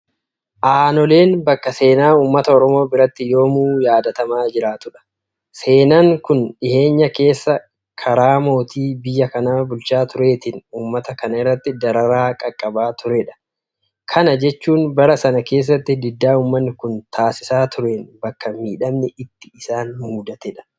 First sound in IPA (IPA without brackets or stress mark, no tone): ʔ